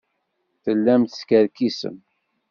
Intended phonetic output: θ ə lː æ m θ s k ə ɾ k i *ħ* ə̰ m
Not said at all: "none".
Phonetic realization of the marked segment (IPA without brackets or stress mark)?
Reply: s